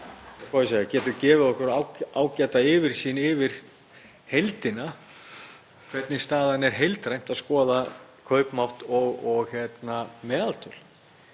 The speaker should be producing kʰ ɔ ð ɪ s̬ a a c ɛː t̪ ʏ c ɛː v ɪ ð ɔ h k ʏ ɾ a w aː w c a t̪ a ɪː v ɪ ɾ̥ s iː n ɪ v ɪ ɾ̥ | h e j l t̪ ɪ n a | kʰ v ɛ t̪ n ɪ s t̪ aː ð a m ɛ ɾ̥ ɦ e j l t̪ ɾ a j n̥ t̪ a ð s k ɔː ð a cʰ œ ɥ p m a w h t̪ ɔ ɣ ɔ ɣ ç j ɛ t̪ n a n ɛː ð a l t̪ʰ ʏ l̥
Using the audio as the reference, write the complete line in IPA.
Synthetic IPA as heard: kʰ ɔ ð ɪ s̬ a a c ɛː t̪ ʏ c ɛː v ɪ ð ɔ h k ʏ ɾ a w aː w c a t̪ a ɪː v ɪ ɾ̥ s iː n ɪ v ɪ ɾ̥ | h e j l t̪ ɪ n a | kʰ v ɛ t̪ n ɪ s t̪ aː ð a n ɛ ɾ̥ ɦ e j l t̪ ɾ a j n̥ t̪ a ð s k ɔː ð a kʰ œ ɥ p m a w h t̪ ɔ ɣ ɔ ɣ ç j ɛ t̪ n a m ɛː ð a l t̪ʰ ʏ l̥